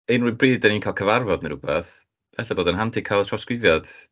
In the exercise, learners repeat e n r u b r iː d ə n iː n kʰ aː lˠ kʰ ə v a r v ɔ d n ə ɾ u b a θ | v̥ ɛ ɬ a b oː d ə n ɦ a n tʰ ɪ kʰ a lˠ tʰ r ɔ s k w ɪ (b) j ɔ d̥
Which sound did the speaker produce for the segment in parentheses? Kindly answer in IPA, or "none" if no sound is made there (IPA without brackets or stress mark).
v